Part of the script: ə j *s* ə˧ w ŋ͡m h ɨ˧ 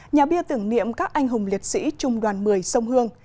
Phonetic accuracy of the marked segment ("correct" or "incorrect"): correct